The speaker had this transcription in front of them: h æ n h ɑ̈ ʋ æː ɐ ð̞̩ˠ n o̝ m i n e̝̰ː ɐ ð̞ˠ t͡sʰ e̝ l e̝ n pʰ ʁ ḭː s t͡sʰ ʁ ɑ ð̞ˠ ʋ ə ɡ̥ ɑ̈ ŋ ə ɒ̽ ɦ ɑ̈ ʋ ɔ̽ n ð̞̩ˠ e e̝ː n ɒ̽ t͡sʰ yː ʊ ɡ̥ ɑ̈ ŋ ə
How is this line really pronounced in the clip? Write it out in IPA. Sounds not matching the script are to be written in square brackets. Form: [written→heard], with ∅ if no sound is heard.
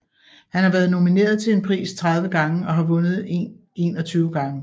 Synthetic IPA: h æ n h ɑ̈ ʋ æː ɐ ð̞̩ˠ n o̝ m i n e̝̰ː ɐ ð̞ˠ t͡sʰ e̝ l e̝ n pʰ ʁ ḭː s t͡sʰ ʁ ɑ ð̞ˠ ʋ ə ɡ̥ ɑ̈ ŋ ə ɒ̽ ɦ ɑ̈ ʋ ɔ̽ n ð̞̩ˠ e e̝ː n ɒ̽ t͡sʰ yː ʊ ɡ̥ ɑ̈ ŋ ə